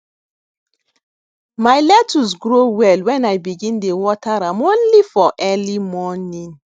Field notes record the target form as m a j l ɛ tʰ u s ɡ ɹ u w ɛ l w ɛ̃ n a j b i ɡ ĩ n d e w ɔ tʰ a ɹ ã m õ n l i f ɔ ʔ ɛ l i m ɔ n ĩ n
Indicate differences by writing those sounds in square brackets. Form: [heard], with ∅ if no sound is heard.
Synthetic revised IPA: m a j l ɛ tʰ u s ɡ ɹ [o] w ɛ l w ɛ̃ n a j b i ɡ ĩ n d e w ɔ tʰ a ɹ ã m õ n l i f ɔ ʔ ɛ l i m ɔ n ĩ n

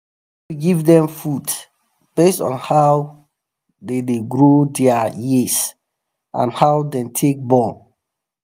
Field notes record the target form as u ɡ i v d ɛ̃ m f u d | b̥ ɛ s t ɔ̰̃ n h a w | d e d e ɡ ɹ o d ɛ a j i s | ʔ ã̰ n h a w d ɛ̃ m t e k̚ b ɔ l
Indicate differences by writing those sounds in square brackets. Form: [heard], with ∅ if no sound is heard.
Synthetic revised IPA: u ɡ i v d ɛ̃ m f u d | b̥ [e] s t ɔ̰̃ n h a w | d e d e ɡ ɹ o d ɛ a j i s | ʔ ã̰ n h a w d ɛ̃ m [tʰ] e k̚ b ɔ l

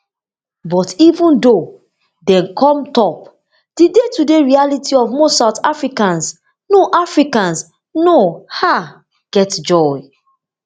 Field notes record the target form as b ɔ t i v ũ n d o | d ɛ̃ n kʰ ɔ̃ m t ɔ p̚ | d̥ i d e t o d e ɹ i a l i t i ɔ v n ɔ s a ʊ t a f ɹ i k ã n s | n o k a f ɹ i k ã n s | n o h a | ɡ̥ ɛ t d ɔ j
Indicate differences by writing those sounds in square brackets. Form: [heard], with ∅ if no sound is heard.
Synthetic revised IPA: b ɔ t i v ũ n d o | d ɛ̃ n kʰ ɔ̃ m t ɔ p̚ | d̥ i d e t [u] d e ɹ i a l i t i ɔ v [m] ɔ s a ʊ t a f ɹ i k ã n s | n o [ʔ] a f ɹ i k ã n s | n o h a | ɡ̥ ɛ t [d͡ʒ] ɔ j

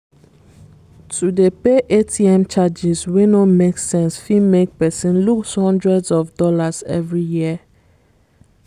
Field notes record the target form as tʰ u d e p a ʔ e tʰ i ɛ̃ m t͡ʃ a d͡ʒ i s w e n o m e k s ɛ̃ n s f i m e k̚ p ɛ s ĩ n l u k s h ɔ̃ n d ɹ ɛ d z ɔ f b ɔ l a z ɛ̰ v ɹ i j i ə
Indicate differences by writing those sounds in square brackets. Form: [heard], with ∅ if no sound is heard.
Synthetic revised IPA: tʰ u d e p [e] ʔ e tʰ i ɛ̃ m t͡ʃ a d͡ʒ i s w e n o m e k s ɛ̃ n s f i m e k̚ p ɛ s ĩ n l u k s h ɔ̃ n d ɹ ɛ d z ɔ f [d] ɔ l a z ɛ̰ v ɹ i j i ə

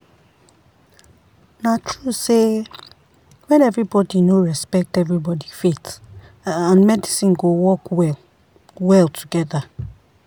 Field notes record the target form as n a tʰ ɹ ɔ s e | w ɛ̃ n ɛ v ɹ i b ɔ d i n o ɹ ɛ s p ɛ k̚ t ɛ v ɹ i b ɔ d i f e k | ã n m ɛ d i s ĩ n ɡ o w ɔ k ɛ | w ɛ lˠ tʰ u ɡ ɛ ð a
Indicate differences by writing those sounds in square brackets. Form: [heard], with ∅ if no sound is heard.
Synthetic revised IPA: n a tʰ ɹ [u] s e | w ɛ̃ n ɛ v ɹ i b ɔ d i n o ɹ ɛ s p ɛ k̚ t ɛ v ɹ i b ɔ d i f e [t] | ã n m ɛ d i s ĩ n ɡ o w ɔ k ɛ | w ɛ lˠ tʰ u ɡ ɛ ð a

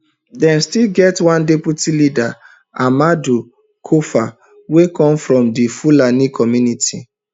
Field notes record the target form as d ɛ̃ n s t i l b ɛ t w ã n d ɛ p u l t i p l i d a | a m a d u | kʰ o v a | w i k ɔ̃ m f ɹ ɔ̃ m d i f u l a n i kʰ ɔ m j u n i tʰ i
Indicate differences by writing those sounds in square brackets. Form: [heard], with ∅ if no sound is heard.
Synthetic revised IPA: d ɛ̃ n s t i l [ɡ] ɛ t w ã n d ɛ p u [∅] t i [∅] l i d a | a m a d u | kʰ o [f] a | w [e] k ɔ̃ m f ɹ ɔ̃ m d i f u l a n i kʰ ɔ m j u n i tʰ i

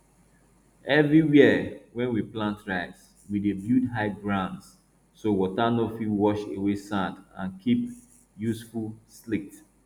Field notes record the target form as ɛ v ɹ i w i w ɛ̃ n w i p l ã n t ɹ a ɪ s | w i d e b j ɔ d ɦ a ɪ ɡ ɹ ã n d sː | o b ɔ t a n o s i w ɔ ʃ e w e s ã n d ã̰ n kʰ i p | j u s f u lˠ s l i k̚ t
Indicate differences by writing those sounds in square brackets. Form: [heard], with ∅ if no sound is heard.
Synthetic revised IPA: ɛ v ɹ i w i w ɛ̃ n w i p l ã n t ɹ a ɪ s | w i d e b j [u] d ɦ a ɪ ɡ ɹ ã n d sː | o [w] ɔ t a n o [f] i w ɔ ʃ e w e s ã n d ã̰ n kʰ i p | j u s f u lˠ s l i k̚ t

